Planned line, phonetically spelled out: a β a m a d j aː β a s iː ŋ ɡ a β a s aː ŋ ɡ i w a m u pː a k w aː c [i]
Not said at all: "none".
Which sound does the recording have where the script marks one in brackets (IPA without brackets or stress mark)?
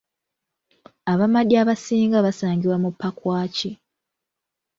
i